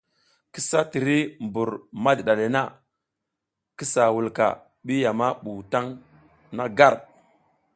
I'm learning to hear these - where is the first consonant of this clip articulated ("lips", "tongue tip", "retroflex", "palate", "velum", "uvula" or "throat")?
velum